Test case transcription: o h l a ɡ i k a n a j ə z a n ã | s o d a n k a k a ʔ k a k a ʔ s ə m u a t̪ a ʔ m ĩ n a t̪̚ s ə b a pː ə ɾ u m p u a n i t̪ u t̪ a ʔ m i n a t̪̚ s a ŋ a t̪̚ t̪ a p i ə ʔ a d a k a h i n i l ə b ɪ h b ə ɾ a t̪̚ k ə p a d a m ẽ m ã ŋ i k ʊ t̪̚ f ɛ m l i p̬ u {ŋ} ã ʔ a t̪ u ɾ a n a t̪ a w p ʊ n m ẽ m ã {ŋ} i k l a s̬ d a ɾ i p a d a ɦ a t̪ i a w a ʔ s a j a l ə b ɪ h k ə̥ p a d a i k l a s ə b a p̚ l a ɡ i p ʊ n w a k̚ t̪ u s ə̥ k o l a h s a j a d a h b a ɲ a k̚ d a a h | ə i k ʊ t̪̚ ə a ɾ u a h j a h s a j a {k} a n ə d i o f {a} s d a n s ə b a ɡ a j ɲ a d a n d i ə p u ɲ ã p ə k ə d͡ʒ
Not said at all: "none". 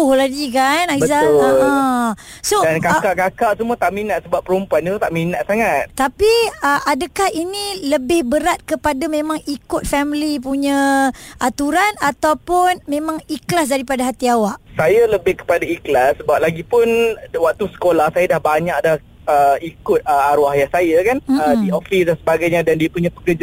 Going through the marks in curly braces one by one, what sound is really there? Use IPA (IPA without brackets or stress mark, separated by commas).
ɲ, ŋ, k, i